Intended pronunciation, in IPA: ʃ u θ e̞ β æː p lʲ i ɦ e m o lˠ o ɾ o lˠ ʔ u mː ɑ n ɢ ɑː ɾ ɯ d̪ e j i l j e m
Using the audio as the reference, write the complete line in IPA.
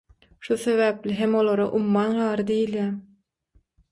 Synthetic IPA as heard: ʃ u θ e̞ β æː p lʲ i ɦ e m o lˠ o ɾ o ʔ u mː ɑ n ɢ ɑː ɾ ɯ d̪ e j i l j æ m